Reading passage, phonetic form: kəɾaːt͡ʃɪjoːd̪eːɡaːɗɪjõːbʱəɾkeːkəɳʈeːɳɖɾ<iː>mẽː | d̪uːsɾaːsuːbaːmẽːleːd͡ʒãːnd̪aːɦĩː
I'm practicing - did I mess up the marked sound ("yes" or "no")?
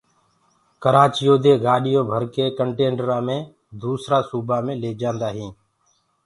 yes